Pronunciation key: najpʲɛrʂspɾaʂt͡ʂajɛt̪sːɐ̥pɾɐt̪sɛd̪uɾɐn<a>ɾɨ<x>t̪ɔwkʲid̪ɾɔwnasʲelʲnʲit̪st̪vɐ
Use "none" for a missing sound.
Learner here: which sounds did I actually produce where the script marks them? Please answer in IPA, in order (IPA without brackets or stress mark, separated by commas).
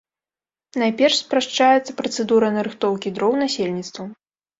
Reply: ɐ, x